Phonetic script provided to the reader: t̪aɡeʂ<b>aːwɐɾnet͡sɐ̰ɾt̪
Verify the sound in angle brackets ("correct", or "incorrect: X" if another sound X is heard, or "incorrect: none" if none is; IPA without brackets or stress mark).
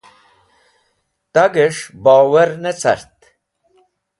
correct